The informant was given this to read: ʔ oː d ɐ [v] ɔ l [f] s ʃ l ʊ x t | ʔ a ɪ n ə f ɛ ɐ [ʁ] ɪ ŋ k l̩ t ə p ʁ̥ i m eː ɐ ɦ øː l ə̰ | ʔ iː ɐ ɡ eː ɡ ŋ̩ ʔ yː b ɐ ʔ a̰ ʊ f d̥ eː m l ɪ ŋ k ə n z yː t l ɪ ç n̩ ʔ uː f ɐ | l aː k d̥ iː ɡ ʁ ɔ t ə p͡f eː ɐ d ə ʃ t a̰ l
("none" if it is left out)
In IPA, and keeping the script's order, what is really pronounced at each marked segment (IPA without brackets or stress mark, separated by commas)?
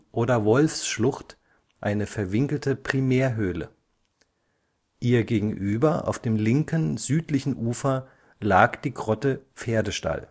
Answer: v, f, v